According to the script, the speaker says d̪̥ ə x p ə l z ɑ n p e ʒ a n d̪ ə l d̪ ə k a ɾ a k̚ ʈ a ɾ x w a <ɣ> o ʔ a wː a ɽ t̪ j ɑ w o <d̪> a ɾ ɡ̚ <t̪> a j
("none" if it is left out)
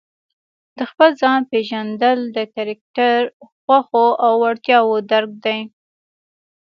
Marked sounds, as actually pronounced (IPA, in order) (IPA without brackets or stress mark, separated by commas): x, d̪, d̪